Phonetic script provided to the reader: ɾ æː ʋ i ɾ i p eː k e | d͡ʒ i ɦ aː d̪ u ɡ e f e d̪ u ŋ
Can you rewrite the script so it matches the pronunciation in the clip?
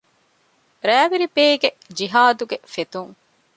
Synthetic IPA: ɾ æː ʋ i ɾ i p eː ɡ e | d͡ʒ i ɦ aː d̪ u ɡ e f e t̪ u ŋ